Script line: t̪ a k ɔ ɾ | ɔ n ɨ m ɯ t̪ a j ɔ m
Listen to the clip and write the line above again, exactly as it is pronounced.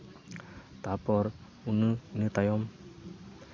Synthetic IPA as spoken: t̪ a p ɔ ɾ | u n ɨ n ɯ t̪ a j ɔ m